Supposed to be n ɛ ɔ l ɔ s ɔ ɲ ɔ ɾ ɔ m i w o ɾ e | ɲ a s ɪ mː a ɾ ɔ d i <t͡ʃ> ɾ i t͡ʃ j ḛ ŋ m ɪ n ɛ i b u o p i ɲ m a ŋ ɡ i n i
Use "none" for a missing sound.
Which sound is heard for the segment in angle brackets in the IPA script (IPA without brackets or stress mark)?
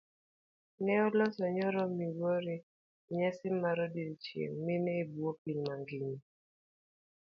none